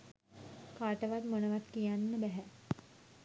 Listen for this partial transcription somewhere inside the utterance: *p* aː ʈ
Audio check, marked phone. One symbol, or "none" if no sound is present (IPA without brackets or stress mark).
k